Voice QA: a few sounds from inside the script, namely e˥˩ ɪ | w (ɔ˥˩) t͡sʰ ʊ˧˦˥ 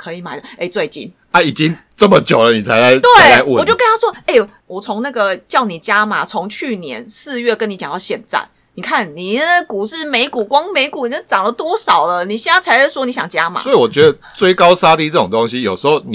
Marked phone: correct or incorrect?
incorrect